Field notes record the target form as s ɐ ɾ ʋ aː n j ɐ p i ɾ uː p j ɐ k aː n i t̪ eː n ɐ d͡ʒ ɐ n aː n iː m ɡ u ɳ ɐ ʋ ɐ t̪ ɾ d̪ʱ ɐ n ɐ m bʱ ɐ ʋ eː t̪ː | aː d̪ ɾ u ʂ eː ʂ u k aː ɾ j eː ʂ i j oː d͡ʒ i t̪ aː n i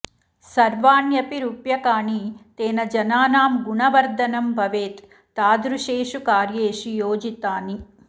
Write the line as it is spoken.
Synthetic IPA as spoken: s ɐ ɾ ʋ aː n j ɐ p i ɾ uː p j ɐ k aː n i t̪ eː n ɐ d͡ʒ ɐ n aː n aː m ɡ u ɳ ɐ ʋ ɐ ɾ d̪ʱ ɐ n ɐ m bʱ ɐ ʋ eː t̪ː | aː d̪ ɾ u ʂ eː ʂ u k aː ɾ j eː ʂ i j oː d͡ʒ i t̪ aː n i